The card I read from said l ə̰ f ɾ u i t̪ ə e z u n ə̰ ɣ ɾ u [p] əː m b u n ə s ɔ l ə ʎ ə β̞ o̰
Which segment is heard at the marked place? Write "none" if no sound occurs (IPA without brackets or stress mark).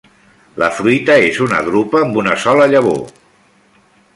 p